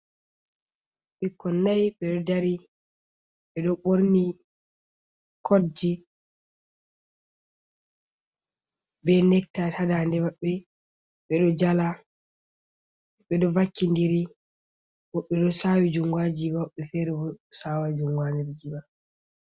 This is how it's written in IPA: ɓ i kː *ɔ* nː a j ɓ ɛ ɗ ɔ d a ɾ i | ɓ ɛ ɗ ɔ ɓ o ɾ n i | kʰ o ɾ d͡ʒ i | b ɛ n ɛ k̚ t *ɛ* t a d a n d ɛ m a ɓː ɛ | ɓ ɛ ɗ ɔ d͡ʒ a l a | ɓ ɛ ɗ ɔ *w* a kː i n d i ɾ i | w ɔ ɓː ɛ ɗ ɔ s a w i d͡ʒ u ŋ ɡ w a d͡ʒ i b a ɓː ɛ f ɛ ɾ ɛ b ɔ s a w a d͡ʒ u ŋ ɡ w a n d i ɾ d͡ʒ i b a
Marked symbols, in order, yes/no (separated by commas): yes, no, no